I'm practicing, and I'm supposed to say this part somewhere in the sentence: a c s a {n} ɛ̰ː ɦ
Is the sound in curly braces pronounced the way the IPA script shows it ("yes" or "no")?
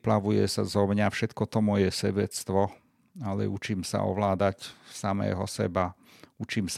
no